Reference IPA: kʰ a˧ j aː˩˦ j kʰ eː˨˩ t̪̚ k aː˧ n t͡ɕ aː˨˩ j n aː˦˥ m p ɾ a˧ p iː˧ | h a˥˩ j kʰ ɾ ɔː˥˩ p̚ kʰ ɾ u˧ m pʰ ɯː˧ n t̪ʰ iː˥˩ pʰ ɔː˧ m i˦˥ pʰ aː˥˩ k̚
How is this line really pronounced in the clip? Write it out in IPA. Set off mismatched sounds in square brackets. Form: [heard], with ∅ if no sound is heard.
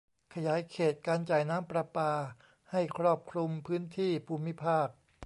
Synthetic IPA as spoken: kʰ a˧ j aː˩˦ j kʰ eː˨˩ t̪̚ k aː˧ n t͡ɕ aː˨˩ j n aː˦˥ m p ɾ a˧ p [aː˧] | h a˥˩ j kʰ ɾ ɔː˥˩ p̚ kʰ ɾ u˧ m pʰ [ɯː˦˥] n t̪ʰ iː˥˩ pʰ [uː˧] m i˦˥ pʰ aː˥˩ k̚